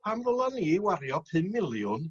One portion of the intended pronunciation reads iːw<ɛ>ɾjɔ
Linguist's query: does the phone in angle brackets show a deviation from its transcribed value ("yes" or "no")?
yes